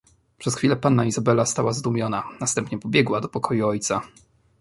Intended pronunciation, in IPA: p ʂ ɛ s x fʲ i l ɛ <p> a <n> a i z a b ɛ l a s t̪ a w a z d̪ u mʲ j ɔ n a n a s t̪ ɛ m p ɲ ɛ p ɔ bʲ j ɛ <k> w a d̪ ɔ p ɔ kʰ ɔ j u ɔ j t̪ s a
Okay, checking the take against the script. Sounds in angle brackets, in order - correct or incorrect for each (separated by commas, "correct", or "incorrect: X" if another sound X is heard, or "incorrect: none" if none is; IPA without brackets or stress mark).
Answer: correct, incorrect: nː, incorrect: ɡ